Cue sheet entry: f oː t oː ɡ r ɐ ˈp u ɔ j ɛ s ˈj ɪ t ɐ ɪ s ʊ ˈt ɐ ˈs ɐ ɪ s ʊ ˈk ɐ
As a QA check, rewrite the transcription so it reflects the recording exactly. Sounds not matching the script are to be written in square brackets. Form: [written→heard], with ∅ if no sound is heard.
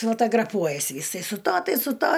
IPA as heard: f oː t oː ɡ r ɐ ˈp u ɔ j ɛ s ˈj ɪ [t→s] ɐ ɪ s ʊ ˈt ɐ [ˈs→ˈt] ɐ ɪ s ʊ [ˈk→ˈt] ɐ